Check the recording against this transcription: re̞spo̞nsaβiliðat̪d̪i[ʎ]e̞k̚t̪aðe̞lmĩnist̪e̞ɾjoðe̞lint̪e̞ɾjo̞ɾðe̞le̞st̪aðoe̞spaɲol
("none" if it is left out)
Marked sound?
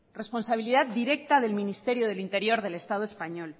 ɾ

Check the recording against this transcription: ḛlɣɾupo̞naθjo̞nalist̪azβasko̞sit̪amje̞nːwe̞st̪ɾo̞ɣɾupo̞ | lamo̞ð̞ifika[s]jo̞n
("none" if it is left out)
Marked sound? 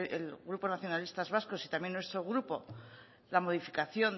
θ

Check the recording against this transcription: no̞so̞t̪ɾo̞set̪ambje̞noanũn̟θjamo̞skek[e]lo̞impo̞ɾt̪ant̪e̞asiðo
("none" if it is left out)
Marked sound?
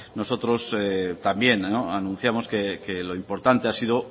e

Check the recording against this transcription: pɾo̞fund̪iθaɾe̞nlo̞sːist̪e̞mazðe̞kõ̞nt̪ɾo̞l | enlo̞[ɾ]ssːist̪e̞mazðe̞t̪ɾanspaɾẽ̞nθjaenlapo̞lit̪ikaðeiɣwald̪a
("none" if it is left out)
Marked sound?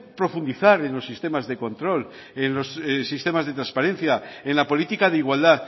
none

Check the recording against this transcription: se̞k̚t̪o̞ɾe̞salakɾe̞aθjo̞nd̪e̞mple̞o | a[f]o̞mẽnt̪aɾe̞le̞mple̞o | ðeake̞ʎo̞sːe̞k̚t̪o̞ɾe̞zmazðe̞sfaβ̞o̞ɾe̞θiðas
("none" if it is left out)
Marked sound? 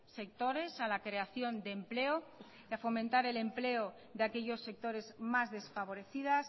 f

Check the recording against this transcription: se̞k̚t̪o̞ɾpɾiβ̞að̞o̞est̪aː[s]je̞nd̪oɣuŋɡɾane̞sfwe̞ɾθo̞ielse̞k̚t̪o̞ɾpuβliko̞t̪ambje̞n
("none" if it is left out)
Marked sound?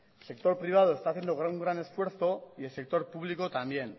θ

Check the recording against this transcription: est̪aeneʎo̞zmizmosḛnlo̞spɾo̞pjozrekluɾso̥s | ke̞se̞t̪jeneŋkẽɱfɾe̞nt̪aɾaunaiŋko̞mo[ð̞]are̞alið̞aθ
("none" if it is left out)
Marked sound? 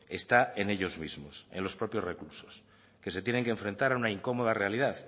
ð̞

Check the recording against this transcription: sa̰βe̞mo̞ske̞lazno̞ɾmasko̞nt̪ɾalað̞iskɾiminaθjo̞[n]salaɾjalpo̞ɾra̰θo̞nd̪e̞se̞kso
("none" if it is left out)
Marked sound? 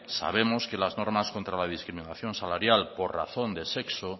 n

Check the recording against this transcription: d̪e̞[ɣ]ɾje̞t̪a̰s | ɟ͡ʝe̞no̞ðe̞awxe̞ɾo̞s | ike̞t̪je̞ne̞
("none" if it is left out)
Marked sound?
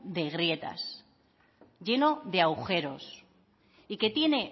ɣ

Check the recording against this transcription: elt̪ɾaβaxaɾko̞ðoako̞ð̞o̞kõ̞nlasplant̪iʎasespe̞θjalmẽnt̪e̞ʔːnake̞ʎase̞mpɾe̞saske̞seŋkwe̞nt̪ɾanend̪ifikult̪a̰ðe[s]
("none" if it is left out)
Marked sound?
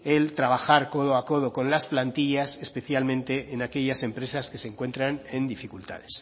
s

